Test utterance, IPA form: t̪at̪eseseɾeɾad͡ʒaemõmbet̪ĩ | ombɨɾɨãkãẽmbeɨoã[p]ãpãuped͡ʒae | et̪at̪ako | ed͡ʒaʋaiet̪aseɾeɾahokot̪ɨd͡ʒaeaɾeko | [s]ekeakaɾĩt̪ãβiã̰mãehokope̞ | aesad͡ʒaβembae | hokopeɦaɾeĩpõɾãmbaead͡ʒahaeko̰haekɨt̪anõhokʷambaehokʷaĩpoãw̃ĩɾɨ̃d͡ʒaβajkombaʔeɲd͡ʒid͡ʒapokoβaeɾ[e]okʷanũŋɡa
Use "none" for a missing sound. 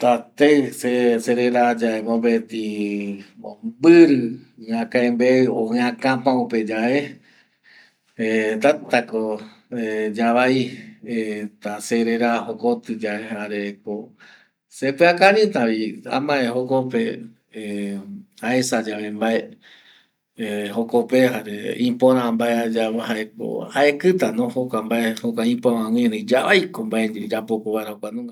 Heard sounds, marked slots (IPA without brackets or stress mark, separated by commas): k, s, a